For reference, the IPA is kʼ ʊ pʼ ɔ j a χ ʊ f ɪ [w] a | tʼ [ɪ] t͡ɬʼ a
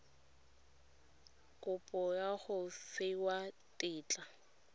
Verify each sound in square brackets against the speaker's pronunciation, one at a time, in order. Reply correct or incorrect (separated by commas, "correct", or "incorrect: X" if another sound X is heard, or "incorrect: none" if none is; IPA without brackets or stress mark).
correct, incorrect: ɪː